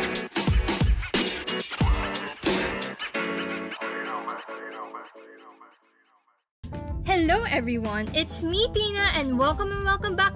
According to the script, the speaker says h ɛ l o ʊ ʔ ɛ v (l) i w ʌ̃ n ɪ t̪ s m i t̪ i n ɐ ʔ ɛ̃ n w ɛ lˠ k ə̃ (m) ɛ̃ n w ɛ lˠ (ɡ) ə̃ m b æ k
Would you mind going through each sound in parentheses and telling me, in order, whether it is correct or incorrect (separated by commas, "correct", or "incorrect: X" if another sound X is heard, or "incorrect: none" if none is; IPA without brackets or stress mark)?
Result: incorrect: ɹ, correct, incorrect: k